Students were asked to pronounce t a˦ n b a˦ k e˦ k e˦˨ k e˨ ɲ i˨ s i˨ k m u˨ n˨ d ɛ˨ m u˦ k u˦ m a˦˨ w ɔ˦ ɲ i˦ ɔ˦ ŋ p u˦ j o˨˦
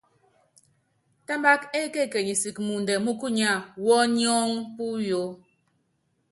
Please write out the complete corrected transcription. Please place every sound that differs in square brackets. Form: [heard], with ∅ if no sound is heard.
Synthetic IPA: t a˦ [m] b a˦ k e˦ k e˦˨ k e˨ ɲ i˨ s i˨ k m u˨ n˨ d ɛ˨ m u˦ k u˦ [ɲ] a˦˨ w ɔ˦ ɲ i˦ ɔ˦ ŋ p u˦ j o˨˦